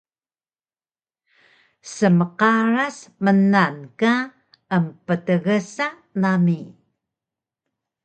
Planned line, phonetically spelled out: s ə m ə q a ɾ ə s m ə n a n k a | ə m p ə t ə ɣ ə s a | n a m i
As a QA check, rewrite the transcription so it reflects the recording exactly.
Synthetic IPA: s ə m ə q a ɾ a s m ə n a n k a | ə m p ə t ə ɣ ə s a | n a m i